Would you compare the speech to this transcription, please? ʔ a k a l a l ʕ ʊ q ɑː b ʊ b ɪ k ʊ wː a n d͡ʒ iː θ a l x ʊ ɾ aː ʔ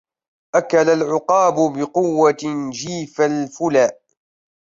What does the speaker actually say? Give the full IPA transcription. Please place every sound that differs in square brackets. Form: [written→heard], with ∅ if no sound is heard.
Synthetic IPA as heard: ʔ a k a l a l ʕ ʊ q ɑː b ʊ b ɪ [k→q] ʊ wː a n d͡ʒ iː [θ→f] a l [x→f] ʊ [ɾ→l] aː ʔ